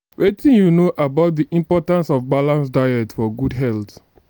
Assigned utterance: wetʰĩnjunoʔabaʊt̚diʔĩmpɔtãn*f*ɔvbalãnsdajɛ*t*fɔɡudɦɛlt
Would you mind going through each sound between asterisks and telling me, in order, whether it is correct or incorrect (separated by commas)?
incorrect, correct